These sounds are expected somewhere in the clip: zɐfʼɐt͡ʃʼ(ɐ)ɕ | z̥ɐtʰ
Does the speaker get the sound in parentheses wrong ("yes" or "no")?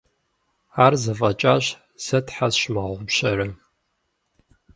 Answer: yes